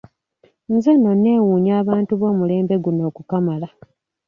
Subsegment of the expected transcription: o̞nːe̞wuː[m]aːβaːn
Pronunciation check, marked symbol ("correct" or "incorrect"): incorrect